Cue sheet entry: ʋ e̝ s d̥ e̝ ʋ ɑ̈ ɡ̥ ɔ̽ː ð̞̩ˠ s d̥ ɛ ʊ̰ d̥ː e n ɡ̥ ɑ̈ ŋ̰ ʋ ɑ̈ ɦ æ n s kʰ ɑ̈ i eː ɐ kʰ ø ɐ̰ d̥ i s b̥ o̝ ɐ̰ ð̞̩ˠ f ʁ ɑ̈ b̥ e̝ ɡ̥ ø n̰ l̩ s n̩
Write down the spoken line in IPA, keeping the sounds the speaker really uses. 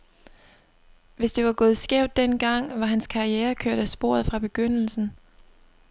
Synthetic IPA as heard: ʋ e̝ s d̥ e̝ ʋ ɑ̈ ɡ̥ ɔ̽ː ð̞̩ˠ s ɡ̥ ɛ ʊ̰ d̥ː e n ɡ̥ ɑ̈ ŋ̰ ʋ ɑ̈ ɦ æ n s kʰ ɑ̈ i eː ɐ kʰ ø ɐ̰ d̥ æ s b̥ o̝ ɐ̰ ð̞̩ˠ f ʁ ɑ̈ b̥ e̝ ɡ̥ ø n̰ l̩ s n̩

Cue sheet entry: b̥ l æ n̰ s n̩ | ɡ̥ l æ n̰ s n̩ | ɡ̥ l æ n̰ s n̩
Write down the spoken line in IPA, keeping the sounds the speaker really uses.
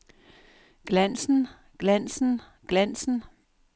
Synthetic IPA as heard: ɡ̥ l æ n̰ s n̩ | ɡ̥ l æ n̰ s n̩ | ɡ̥ l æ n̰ s n̩

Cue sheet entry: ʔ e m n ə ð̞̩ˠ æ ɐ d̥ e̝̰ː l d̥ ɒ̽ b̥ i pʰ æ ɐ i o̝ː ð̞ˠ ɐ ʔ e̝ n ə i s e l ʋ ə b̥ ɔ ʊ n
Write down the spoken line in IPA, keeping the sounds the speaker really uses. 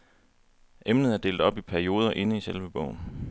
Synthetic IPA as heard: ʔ e m n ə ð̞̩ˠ æ ɐ d̥ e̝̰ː l d̥ ɒ̽ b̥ i pʰ æ ɐ i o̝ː ð̞ˠ ɐ ʔ e̝ n ə i s e l ʋ ə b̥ ɔ ʊ n

